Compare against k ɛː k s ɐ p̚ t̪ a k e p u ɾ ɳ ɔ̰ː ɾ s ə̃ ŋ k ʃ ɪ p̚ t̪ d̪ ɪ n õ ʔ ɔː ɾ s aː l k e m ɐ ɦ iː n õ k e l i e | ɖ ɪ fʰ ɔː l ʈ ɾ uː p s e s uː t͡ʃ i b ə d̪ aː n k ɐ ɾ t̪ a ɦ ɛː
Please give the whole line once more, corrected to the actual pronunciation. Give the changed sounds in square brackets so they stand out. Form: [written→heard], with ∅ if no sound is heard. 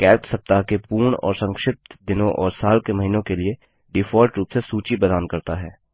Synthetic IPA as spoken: k ɛː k s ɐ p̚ t̪ a k e p [u→uː] ɾ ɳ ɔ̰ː ɾ s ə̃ ŋ k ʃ ɪ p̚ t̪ d̪ ɪ n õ ʔ ɔː ɾ s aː l k e m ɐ ɦ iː n õ k e l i e | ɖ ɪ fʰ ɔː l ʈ ɾ uː p s e s uː t͡ʃ i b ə d̪ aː n k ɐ ɾ t̪ a ɦ ɛː